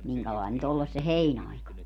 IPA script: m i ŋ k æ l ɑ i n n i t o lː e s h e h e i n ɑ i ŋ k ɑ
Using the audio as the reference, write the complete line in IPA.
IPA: m i ŋ k æ l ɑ i n n y t o lː e s s e h e i n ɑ i k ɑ